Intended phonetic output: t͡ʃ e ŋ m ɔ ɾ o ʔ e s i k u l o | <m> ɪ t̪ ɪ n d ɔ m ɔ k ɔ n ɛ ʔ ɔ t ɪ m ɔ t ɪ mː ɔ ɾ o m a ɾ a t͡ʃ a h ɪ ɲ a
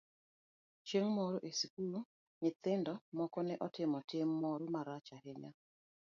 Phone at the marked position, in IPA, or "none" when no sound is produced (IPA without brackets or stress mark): ɲ